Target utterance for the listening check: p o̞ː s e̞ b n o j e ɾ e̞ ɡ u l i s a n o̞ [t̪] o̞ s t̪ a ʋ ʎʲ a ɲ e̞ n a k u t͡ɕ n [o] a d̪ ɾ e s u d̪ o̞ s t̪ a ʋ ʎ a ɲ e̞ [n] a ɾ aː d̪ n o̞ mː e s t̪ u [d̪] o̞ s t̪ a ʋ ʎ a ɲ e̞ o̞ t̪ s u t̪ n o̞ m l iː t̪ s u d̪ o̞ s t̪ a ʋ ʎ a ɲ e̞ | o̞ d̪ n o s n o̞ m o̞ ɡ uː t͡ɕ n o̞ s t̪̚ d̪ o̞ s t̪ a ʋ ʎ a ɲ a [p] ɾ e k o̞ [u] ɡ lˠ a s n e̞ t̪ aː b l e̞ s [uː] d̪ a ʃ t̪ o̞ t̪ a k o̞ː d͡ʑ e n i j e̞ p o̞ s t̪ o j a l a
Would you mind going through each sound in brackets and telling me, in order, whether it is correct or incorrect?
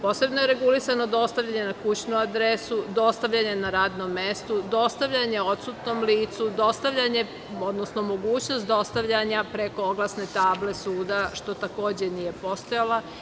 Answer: incorrect: d̪, incorrect: u, correct, correct, correct, incorrect: o, correct

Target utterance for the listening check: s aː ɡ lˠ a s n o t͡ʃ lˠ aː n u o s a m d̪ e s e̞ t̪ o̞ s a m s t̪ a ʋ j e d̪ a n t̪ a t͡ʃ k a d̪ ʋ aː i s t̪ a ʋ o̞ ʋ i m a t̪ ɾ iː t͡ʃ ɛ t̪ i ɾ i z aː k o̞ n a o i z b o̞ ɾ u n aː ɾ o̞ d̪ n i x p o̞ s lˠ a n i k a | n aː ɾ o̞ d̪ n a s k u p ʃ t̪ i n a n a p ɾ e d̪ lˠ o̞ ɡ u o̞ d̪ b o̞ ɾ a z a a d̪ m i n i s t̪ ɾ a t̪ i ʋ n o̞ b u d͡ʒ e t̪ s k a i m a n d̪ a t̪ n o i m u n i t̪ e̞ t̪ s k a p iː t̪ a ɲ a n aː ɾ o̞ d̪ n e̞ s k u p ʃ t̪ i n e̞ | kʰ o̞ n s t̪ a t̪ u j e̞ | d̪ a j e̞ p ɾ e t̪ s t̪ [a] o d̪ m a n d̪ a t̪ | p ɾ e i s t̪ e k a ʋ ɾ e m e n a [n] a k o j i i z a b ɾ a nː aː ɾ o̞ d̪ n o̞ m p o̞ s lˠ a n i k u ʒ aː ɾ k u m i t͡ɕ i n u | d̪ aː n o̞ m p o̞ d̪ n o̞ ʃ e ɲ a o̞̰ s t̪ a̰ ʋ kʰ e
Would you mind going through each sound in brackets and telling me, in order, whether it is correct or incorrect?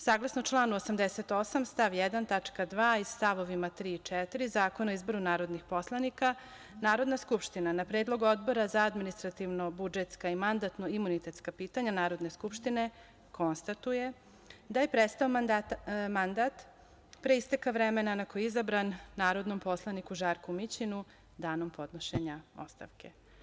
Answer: correct, correct

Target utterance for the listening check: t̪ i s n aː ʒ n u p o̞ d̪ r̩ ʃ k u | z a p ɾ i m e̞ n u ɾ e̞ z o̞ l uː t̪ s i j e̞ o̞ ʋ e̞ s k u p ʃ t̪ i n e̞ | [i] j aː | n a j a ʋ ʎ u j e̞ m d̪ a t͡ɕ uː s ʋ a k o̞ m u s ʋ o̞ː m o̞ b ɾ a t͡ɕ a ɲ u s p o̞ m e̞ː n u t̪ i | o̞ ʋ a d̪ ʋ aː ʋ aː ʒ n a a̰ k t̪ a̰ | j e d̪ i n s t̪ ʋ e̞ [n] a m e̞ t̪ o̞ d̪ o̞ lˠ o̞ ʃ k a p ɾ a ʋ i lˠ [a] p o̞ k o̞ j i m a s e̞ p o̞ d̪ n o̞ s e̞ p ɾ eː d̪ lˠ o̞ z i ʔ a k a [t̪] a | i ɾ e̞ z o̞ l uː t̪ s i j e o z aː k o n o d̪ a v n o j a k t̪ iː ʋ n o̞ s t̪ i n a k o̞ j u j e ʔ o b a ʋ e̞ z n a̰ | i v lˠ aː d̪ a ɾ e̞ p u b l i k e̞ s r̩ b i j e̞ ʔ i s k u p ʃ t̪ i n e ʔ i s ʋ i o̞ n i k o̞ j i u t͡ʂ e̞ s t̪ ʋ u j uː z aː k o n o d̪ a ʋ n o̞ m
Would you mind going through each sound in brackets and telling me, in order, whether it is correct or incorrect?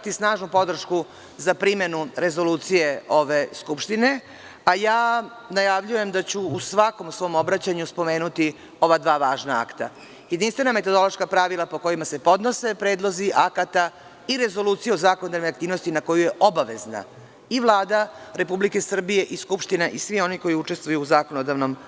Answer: incorrect: a, correct, correct, correct

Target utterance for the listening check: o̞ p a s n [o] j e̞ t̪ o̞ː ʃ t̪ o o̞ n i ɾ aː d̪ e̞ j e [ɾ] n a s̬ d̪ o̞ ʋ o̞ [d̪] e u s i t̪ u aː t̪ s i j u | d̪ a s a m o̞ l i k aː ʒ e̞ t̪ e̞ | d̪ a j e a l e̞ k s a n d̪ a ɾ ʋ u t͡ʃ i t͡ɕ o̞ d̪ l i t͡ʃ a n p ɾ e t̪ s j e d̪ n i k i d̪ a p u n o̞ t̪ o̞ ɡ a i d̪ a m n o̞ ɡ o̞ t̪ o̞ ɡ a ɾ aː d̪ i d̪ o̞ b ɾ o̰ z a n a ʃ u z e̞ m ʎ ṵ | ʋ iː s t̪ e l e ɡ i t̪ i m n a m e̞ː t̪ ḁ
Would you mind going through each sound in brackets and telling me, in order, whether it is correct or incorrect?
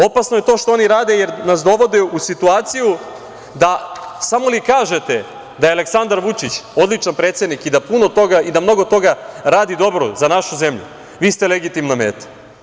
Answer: correct, correct, correct

